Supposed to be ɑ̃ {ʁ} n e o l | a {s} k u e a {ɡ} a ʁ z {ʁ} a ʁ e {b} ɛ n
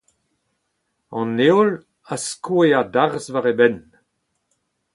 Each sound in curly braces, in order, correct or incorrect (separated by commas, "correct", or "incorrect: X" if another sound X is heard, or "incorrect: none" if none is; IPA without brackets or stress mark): incorrect: none, correct, incorrect: d, incorrect: v, correct